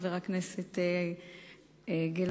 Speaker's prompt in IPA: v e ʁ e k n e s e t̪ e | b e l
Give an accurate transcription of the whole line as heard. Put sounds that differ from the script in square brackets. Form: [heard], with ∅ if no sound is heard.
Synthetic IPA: v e ʁ [a] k n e s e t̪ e | [ɡ] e l